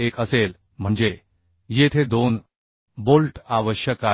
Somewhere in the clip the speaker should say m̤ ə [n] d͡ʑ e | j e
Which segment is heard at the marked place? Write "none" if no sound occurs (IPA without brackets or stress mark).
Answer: ɳ